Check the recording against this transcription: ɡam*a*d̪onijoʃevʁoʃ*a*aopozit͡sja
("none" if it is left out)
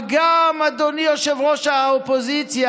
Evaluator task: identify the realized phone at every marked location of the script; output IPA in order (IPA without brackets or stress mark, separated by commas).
a, a